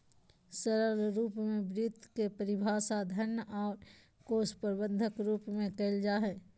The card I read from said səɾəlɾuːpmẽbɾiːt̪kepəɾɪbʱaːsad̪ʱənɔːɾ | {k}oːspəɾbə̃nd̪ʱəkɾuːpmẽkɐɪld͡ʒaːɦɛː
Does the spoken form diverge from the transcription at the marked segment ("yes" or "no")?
no